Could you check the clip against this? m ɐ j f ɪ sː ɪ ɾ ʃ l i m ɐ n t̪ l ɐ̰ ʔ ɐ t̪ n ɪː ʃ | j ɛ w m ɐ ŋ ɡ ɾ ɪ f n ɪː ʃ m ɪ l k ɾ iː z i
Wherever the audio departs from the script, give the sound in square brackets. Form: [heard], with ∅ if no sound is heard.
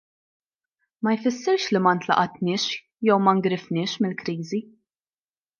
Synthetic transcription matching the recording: m ɐ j f ɪ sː ɪ ɾ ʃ l i m ɐ n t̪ l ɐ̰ ʔ ɐ t̪ n ɪː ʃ | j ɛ w m ɐ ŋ ɡ ɾ ɪ f n ɪː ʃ m ɪ l k ɾ iː z i